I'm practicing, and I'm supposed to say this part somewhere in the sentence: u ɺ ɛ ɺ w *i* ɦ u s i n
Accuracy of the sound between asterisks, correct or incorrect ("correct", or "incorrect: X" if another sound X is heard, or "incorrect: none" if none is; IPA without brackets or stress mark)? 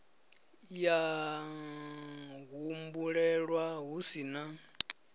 incorrect: a